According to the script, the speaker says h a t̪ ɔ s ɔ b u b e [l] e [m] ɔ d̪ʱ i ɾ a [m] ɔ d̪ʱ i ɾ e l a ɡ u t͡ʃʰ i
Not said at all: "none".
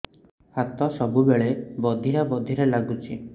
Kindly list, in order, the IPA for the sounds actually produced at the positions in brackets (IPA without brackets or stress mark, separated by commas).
ɭ, b, b